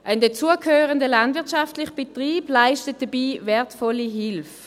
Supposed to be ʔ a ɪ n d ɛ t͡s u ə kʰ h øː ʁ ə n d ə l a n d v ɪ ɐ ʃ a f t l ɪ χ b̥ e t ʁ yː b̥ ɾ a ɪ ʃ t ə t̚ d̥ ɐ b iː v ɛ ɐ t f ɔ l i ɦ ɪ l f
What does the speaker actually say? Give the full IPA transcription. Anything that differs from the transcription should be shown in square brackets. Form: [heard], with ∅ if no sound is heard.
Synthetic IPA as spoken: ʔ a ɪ n d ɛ t͡s u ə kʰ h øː ʁ ə n d ə l a n d v ɪ ɐ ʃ a f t l ɪ χ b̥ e t ʁ [iː] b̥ [l] a ɪ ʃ t ə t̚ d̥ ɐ b iː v ɛ ɐ t f ɔ l i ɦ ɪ l f